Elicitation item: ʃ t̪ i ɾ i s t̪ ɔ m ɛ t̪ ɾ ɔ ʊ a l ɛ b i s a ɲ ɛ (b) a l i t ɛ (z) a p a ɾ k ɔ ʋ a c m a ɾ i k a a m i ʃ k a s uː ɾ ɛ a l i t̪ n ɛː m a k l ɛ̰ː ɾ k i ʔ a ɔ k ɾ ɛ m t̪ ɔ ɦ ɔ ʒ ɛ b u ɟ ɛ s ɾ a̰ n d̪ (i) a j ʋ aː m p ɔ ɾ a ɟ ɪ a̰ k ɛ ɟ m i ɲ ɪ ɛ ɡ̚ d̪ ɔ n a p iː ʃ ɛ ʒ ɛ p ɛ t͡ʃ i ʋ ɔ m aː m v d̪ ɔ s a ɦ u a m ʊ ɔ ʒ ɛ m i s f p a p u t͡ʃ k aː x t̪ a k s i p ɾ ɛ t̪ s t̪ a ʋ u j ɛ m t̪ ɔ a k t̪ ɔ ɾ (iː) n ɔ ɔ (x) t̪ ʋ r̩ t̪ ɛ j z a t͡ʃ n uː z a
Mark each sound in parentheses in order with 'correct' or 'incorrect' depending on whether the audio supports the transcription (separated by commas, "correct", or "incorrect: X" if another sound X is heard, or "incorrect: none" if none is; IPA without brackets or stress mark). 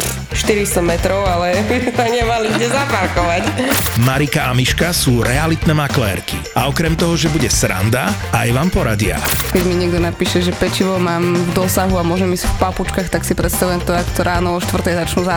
incorrect: m, correct, incorrect: a, incorrect: aː, incorrect: ʃ